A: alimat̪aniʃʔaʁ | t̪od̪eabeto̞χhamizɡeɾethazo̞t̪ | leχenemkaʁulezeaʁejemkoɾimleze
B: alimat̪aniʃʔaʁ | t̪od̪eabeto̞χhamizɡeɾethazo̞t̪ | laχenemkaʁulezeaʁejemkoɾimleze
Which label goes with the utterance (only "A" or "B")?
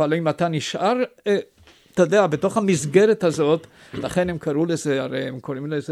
B